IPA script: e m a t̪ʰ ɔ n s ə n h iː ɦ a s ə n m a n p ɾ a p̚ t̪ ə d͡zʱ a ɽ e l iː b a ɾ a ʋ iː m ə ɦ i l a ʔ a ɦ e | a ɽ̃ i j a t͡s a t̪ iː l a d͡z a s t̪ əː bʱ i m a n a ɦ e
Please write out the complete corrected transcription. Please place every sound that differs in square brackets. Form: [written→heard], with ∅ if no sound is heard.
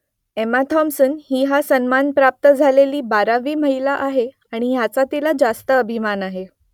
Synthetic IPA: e m a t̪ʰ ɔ [n→m] s ə n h iː ɦ a s ə n m a n p ɾ a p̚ t̪ ə d͡zʱ a [ɽ→l] e l iː b a ɾ a ʋ iː m ə ɦ i l a ʔ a ɦ e | a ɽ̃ i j a t͡s a t̪ [iː→i] l a d͡z a s t̪ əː bʱ i m a n a ɦ e